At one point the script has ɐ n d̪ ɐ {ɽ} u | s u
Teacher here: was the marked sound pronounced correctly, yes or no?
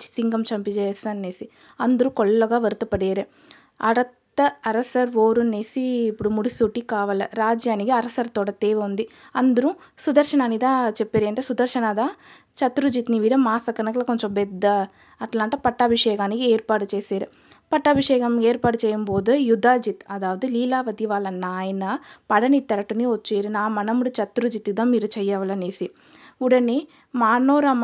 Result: no